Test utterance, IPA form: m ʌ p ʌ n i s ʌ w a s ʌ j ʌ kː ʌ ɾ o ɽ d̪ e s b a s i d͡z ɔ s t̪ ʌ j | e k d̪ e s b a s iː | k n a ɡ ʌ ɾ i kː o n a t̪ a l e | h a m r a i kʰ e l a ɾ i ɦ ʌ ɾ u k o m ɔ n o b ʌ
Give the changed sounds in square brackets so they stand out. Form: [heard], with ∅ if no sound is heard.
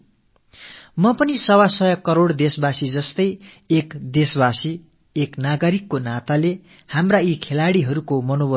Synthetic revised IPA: m ʌ p ʌ n i s ʌ w a s ʌ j ʌ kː ʌ ɾ o ɽ d̪ e s b a s i d͡z [ʌ] s t̪ ʌ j | e k d̪ e s b a s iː | k n a ɡ ʌ ɾ i kː o n a t̪ a l e | h a m r a i kʰ e l a [ɽ] i ɦ ʌ ɾ u k o m [ʌ] n o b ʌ